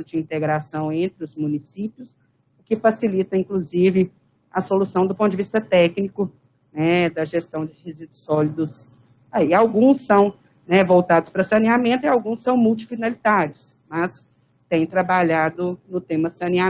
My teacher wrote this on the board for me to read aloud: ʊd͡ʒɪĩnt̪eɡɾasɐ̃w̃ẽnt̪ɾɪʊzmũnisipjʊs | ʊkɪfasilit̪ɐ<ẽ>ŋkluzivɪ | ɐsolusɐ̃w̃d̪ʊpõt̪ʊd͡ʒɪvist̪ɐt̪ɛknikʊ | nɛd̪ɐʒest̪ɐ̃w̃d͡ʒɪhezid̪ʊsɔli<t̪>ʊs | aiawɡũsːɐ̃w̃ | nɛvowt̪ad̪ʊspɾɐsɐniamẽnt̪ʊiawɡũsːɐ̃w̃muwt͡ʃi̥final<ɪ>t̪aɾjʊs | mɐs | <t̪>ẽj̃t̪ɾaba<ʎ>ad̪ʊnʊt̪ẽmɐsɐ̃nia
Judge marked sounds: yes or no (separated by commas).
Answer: no, no, no, yes, yes